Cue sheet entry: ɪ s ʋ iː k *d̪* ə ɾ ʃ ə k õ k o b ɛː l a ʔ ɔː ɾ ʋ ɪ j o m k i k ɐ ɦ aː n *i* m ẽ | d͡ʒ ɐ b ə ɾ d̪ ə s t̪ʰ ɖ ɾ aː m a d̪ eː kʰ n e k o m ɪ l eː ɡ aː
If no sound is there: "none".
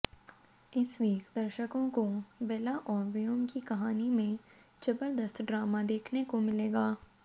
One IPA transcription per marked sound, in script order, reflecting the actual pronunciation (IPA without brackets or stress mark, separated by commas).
d̪, i